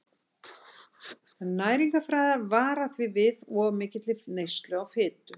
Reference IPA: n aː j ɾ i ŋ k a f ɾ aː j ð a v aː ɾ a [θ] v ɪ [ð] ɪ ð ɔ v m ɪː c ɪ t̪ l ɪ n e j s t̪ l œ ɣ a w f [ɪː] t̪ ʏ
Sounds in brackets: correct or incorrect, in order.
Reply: correct, incorrect, correct

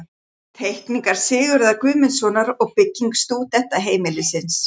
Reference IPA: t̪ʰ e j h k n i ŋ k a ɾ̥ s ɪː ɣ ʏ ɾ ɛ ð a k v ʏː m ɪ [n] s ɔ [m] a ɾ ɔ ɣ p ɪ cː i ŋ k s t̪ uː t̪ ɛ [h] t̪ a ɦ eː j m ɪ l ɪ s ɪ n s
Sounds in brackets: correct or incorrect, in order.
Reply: correct, incorrect, correct

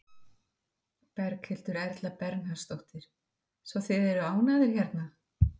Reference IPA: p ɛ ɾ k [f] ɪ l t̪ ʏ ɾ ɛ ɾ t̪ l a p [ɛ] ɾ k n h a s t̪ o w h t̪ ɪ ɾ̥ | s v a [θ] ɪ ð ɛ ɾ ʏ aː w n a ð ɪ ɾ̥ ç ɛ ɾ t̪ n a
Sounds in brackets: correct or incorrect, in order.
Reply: incorrect, correct, correct

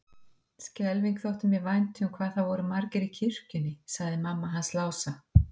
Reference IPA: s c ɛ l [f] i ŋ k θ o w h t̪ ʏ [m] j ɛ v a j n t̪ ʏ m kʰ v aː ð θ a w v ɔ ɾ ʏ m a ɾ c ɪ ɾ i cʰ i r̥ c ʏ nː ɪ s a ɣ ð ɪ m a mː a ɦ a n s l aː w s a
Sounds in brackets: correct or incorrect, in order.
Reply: incorrect, correct

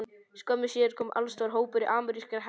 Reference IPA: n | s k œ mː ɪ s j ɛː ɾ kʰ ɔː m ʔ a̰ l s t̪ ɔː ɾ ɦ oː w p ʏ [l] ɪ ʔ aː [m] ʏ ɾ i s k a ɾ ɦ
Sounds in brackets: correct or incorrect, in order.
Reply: incorrect, correct

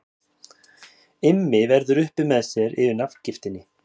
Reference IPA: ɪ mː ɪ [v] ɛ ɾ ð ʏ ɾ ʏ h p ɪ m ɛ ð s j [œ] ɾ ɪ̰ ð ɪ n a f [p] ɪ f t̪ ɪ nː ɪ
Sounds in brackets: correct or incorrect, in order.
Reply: correct, incorrect, incorrect

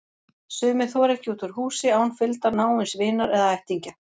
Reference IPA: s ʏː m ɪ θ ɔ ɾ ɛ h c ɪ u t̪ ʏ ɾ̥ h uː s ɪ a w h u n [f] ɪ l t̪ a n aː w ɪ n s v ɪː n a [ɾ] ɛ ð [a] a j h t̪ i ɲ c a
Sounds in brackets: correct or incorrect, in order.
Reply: correct, correct, correct

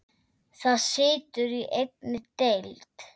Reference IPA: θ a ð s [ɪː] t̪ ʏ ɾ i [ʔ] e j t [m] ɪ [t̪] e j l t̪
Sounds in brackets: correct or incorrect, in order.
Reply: correct, correct, incorrect, correct

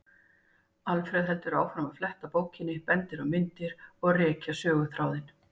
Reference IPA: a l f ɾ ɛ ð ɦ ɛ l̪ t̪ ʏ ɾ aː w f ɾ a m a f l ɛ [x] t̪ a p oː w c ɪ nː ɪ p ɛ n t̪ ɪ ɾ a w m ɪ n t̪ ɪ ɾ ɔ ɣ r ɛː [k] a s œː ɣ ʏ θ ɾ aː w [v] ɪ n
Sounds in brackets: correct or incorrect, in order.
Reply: incorrect, incorrect, incorrect

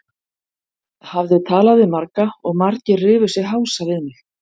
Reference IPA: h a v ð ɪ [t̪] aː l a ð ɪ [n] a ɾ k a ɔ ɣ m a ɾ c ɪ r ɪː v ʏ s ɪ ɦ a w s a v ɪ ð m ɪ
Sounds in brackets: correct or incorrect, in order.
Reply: incorrect, incorrect

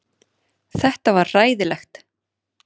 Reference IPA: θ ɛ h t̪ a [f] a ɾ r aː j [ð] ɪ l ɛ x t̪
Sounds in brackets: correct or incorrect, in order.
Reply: incorrect, correct

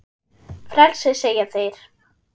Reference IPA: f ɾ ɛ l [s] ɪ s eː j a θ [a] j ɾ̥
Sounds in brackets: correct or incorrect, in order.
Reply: correct, incorrect

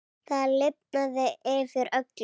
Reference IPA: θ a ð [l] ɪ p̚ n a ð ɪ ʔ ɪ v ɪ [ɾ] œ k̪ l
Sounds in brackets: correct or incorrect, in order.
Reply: correct, correct

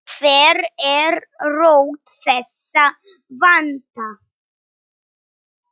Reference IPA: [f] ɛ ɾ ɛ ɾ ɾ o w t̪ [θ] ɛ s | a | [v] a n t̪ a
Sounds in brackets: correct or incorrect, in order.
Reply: correct, incorrect, correct

